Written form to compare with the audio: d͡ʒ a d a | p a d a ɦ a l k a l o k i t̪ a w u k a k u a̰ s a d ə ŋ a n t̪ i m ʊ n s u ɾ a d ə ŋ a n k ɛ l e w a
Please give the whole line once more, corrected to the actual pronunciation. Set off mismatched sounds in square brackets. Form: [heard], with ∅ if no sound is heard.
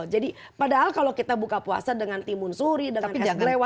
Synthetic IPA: d͡ʒ a d [i] | p a d a ɦ a l k a l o k i t̪ a [b] u k a [p] u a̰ s a d ə ŋ a n t̪ i m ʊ n s u ɾ [i] d ə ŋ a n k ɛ l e w a